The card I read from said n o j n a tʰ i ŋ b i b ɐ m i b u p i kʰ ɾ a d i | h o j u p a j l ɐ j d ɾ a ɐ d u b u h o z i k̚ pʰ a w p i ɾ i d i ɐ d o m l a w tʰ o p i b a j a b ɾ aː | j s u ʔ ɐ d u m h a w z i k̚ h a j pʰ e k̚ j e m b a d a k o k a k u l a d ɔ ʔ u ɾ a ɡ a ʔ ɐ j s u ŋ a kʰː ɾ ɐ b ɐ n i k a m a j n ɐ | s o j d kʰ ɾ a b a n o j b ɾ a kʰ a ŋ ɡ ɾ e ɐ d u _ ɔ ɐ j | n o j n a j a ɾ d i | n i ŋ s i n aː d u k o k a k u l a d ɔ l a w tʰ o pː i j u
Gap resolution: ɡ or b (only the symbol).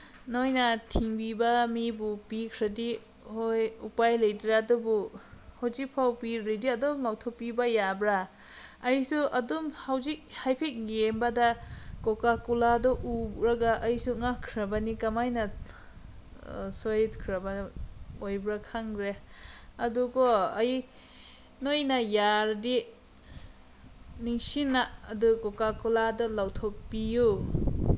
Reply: ɡ